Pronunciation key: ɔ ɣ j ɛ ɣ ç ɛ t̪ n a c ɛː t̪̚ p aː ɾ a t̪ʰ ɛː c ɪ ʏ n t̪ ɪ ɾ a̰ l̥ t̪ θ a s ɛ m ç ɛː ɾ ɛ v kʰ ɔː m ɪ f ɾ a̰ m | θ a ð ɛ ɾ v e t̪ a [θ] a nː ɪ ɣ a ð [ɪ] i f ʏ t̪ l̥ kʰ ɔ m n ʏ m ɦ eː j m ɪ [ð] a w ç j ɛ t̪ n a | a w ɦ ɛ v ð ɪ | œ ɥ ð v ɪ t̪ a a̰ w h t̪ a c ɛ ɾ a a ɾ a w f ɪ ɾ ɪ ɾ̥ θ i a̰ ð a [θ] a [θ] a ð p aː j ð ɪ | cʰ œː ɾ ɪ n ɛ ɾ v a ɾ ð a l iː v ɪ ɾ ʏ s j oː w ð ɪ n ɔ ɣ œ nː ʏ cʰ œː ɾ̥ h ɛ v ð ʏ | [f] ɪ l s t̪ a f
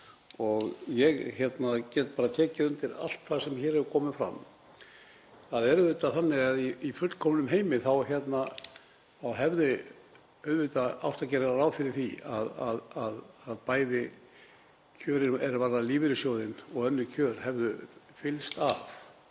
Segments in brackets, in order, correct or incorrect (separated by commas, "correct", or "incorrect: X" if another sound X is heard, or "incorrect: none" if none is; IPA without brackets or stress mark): correct, incorrect: i, incorrect: θ, incorrect: ð, incorrect: ð, correct